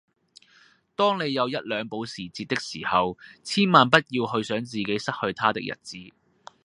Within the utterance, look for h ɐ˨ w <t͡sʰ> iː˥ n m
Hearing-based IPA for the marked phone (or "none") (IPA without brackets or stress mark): t͡sʰ